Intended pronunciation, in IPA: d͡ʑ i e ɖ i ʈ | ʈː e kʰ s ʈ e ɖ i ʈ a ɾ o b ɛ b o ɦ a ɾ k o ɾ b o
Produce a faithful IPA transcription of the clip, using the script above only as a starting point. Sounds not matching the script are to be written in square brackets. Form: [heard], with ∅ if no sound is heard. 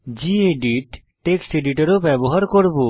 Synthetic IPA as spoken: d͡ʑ i e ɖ i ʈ | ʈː e [k] s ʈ e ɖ i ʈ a ɾ o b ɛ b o ɦ a ɾ k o ɾ b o